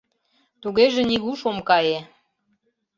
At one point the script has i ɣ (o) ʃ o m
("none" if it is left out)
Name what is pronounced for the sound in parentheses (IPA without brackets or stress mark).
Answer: u